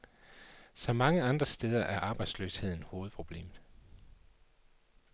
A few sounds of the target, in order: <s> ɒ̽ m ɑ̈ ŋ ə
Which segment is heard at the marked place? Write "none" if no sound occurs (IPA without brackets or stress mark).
s